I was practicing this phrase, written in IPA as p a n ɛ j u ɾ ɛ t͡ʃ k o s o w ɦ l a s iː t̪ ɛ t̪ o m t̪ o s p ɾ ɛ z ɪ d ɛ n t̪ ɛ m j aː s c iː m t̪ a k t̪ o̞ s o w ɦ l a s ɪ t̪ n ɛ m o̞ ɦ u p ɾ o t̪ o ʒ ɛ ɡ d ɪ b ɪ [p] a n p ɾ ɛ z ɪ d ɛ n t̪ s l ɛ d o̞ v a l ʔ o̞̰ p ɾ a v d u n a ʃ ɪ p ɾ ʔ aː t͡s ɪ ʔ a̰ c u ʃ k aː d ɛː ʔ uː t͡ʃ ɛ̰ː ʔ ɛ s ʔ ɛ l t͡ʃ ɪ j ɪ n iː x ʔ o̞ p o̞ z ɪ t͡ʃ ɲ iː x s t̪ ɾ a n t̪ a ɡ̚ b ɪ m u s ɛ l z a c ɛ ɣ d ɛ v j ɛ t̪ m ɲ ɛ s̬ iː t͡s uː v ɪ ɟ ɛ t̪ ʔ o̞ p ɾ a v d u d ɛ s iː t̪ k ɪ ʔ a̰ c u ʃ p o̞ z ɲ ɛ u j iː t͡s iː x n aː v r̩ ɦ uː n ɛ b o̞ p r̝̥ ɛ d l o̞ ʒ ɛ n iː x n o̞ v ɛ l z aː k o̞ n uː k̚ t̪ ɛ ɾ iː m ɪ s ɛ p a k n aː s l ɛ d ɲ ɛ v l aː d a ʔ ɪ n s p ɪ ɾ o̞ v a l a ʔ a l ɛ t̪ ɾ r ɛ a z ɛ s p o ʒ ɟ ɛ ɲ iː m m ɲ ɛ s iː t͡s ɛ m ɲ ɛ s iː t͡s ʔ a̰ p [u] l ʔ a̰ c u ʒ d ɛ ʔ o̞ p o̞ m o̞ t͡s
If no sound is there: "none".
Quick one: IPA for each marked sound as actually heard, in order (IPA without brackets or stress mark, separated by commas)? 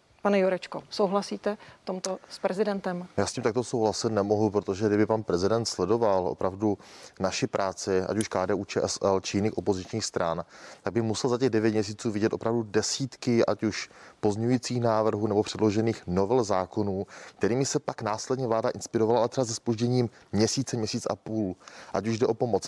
p, uː